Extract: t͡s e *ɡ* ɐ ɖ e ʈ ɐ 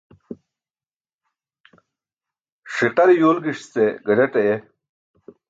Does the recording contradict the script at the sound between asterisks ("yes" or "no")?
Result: no